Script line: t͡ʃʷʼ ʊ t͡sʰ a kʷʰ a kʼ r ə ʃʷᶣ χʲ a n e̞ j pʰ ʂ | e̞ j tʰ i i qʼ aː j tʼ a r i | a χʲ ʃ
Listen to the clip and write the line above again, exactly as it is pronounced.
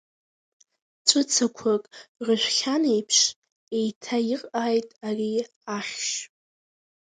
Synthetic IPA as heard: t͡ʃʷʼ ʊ t͡sʰ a kʷʰ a kʼ r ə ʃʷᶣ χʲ a n e̞ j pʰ ʂ | e̞ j tʰ a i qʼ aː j tʼ a r i | a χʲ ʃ